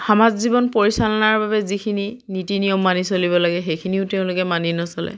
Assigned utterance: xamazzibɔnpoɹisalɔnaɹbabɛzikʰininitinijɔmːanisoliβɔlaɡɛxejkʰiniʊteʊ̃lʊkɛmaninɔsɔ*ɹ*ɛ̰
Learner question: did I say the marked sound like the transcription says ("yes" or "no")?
no